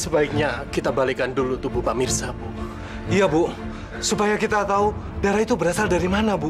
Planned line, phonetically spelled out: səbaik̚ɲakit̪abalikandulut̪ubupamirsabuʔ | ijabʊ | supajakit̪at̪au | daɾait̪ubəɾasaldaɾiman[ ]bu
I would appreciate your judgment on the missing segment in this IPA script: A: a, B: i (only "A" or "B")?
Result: A